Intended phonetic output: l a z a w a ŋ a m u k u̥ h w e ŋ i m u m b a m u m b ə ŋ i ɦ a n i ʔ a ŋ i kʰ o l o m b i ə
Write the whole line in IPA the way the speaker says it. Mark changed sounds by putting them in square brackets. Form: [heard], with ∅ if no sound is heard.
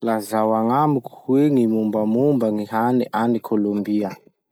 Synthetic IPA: l a z a w a ŋ a m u k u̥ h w e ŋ i m u m b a m u m b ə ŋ i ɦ a n i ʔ a [n] i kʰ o l o m b i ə